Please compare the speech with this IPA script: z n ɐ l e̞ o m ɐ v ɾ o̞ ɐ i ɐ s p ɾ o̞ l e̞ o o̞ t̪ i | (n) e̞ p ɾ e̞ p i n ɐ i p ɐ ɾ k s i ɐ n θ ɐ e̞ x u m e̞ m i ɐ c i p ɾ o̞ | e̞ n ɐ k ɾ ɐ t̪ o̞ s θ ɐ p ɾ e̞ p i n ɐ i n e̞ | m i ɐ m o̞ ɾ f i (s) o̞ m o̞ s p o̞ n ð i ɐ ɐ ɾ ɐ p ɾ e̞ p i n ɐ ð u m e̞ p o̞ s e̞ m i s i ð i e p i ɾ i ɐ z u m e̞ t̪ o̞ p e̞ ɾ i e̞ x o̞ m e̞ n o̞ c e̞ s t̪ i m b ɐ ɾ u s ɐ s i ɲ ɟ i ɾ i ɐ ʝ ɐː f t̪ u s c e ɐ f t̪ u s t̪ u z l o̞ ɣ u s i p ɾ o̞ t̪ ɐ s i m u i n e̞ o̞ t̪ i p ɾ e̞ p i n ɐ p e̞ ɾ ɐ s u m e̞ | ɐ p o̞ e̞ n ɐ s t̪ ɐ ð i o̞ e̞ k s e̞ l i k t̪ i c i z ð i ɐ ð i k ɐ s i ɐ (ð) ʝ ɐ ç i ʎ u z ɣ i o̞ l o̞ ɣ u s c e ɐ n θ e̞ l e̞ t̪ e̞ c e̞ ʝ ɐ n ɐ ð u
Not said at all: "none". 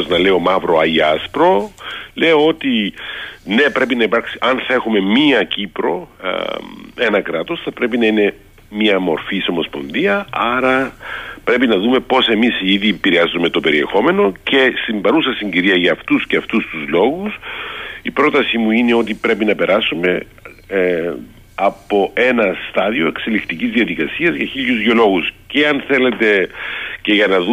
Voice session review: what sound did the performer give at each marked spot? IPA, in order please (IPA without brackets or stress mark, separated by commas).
n, s, z